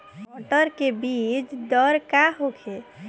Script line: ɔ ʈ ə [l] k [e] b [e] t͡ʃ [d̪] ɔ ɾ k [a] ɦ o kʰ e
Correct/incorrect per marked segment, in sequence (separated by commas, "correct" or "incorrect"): incorrect, correct, incorrect, correct, correct